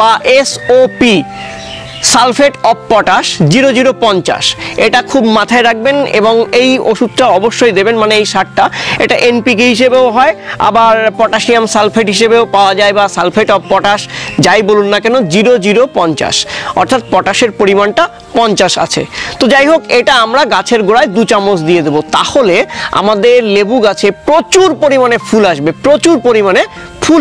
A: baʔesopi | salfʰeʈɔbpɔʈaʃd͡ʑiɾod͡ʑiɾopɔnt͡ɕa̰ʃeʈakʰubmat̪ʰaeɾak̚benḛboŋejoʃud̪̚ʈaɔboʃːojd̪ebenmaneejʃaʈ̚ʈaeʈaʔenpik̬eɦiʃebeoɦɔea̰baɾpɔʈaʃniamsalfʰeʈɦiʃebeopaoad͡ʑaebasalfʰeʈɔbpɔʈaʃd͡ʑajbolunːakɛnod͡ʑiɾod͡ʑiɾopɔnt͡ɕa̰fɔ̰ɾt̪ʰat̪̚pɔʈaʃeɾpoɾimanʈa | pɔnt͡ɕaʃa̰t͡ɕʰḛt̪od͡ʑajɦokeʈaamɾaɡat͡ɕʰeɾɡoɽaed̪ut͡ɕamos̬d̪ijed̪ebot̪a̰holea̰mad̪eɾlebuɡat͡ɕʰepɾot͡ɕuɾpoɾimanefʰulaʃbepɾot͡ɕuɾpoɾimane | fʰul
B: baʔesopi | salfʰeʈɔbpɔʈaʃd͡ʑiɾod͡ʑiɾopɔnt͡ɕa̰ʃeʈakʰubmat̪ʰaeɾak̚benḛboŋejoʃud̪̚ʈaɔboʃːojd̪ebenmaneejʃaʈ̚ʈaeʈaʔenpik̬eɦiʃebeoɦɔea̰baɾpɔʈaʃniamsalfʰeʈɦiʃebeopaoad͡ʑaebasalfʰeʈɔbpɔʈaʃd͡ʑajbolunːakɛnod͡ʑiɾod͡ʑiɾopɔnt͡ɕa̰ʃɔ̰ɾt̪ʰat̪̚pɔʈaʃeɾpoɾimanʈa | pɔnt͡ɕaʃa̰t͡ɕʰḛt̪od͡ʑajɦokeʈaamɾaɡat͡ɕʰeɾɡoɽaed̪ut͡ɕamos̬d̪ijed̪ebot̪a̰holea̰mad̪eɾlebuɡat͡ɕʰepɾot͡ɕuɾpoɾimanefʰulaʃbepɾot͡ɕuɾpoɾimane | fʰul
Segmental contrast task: B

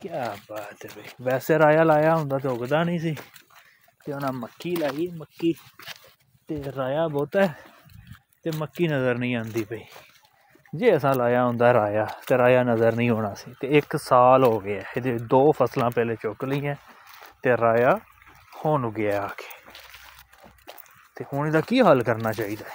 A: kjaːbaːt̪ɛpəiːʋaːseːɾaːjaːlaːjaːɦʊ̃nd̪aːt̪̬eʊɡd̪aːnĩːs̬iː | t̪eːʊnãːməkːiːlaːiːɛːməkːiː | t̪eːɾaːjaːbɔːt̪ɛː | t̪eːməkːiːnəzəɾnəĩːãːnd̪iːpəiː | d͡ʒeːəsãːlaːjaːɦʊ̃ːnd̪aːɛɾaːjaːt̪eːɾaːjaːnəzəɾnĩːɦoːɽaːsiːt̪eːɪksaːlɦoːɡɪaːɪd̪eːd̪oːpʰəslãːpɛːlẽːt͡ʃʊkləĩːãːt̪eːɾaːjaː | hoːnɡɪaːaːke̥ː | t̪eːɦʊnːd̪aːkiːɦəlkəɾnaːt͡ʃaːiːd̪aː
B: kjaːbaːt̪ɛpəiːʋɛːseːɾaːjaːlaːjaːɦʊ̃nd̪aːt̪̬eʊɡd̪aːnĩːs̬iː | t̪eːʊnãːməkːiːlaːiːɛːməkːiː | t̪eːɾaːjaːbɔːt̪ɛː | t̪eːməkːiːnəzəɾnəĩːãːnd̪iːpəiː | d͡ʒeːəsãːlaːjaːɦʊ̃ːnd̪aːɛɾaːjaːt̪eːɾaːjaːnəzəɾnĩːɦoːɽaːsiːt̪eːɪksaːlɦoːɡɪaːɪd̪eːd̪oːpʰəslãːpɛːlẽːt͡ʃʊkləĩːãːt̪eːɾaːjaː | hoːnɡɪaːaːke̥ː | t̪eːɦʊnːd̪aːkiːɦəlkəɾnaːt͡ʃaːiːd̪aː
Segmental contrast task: B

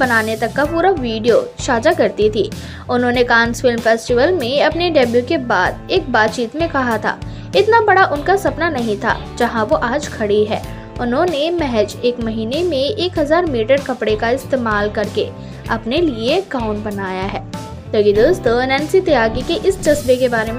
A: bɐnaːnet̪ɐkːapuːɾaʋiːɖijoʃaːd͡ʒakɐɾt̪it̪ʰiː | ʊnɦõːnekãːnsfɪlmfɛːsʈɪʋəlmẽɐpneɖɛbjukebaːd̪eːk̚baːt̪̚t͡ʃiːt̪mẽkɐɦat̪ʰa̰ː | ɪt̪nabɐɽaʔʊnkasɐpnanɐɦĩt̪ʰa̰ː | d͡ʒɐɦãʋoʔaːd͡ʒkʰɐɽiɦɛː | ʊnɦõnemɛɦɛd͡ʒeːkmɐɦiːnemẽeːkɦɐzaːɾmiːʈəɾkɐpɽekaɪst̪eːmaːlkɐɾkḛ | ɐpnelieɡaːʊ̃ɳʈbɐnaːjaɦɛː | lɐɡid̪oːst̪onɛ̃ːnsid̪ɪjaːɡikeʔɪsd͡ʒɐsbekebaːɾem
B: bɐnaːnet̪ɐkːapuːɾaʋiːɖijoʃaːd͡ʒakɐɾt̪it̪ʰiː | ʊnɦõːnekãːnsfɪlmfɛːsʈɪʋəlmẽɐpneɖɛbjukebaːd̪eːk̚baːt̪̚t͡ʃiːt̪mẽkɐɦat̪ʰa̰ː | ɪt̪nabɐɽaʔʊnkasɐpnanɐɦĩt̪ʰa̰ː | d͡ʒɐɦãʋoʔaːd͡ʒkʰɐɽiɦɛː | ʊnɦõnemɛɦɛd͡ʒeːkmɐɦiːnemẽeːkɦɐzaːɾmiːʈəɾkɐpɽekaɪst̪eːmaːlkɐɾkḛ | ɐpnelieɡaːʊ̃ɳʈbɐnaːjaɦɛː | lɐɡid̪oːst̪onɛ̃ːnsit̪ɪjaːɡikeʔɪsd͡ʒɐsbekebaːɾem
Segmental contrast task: B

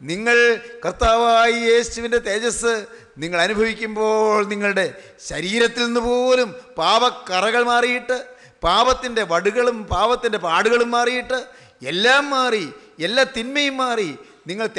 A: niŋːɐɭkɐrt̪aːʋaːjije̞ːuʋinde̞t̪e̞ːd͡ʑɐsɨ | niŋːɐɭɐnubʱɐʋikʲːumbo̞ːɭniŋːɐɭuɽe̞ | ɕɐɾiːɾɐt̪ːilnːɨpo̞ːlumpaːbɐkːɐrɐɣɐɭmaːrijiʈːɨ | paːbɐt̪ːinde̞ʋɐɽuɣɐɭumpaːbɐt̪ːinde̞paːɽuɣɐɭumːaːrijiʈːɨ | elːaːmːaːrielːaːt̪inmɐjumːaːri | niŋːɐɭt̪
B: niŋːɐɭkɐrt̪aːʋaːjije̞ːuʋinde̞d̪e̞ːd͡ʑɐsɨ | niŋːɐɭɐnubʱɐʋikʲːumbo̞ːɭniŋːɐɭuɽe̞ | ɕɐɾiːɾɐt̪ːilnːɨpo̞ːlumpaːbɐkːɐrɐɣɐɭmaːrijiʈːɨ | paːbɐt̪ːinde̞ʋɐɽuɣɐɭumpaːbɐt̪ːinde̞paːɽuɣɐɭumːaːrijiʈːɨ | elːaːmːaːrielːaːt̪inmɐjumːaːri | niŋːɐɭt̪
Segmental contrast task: A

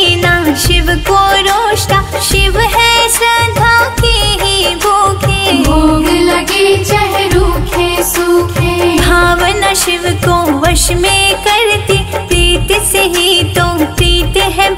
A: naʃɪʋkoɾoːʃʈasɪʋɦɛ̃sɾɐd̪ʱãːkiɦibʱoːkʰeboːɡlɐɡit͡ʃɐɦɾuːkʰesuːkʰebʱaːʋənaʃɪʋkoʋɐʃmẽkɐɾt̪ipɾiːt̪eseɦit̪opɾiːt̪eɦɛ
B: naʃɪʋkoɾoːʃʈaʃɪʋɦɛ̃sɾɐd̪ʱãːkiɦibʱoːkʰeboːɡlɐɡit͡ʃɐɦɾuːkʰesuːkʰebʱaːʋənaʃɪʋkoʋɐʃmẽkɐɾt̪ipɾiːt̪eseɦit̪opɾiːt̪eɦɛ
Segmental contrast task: B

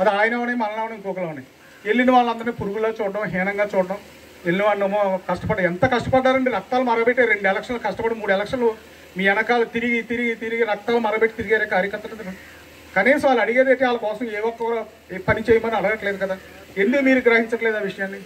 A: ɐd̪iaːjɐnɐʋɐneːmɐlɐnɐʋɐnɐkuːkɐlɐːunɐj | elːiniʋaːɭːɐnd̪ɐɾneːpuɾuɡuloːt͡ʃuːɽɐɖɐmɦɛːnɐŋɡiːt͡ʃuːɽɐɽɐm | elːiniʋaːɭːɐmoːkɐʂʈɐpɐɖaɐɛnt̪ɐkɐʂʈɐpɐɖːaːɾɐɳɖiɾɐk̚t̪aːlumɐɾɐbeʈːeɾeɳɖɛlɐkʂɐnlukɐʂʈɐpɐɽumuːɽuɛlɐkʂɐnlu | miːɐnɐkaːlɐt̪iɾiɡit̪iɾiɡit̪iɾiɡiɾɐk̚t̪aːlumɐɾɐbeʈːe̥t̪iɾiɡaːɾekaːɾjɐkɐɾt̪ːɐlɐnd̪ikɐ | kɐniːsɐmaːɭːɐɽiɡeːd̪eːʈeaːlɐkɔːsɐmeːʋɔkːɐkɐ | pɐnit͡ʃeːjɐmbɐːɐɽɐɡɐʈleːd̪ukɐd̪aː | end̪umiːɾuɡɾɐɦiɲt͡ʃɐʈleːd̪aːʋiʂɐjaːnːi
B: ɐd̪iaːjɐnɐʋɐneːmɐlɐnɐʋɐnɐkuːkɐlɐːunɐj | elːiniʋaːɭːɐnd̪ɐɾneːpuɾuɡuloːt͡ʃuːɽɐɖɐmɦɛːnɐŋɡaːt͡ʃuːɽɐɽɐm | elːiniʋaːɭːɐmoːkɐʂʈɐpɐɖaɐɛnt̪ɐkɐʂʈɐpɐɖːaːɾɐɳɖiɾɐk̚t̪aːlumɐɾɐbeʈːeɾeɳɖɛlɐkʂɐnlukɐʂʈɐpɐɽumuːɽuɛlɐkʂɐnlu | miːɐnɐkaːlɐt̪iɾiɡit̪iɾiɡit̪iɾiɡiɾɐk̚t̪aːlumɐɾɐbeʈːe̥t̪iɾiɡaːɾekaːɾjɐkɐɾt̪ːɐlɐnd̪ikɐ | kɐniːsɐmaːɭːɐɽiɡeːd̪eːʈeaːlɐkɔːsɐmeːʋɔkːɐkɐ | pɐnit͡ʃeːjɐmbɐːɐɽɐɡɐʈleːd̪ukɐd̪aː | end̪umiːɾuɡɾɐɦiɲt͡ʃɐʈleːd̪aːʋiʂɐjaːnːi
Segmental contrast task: B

